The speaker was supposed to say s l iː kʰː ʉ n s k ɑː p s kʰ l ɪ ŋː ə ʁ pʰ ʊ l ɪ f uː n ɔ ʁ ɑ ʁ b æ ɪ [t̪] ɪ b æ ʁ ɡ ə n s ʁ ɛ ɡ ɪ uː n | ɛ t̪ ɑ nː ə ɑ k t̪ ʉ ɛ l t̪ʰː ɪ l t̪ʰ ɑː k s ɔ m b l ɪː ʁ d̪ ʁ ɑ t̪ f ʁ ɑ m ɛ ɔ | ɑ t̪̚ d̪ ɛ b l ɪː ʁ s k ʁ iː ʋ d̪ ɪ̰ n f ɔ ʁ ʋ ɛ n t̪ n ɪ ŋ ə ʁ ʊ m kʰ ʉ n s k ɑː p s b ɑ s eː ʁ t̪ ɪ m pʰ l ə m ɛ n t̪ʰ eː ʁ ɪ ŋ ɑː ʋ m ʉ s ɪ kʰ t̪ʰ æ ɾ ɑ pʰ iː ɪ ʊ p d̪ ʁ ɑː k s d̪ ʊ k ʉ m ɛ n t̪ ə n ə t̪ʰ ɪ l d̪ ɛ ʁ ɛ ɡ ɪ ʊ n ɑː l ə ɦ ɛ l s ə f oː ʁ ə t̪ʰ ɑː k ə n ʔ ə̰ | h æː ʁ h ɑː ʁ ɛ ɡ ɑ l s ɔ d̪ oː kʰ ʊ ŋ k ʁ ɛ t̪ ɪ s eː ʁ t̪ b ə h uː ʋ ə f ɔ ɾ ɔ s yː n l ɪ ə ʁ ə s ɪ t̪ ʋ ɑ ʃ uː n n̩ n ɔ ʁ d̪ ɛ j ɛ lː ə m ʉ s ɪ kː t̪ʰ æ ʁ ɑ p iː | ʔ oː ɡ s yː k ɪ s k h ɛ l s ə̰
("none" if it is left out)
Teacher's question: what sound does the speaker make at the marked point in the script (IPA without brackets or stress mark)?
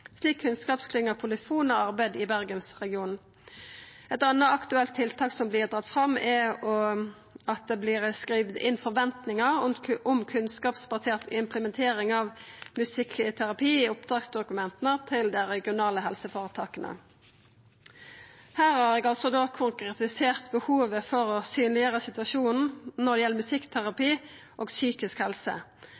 d̪